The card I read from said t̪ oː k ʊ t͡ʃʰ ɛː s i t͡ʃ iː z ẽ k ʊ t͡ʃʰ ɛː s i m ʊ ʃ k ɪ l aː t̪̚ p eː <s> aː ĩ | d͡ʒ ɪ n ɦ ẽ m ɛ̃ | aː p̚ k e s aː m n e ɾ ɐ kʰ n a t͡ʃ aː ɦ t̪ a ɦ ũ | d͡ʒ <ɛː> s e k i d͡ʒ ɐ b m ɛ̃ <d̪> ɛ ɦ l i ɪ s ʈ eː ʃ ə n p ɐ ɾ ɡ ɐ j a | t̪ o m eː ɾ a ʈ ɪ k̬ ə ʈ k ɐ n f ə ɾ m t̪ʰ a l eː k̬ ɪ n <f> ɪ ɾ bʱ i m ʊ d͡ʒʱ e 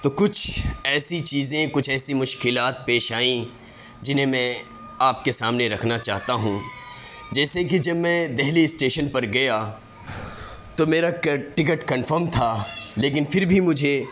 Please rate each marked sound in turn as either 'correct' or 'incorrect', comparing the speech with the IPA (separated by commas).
incorrect, correct, correct, correct